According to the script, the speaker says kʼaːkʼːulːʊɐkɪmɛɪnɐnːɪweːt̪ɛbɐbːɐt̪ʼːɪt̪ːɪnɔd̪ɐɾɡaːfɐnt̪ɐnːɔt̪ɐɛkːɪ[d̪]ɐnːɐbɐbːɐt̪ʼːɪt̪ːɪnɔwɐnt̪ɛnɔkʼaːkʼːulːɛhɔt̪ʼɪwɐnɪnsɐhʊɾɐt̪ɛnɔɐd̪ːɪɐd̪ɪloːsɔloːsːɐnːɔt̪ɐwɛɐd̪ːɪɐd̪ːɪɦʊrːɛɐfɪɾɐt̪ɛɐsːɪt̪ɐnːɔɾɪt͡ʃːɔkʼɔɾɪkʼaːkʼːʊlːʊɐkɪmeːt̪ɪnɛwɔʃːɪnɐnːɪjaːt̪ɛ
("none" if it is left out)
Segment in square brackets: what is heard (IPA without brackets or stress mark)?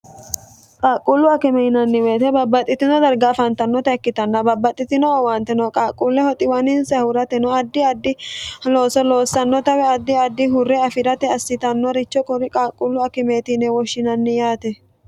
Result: t̪